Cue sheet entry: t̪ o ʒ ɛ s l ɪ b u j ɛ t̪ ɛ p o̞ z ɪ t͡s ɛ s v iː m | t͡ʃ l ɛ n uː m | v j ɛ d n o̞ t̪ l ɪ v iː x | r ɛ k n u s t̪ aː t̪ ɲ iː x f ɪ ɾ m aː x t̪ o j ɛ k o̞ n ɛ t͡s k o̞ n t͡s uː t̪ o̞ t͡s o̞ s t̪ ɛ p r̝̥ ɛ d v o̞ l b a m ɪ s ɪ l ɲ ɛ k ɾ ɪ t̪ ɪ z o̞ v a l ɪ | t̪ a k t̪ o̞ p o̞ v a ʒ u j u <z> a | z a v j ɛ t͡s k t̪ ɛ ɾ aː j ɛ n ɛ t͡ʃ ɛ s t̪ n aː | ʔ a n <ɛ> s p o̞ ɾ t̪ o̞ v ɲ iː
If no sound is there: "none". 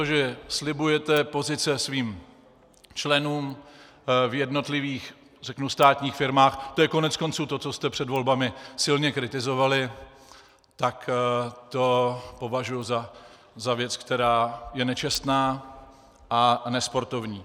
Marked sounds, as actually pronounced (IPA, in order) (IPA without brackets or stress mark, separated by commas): z, ɛ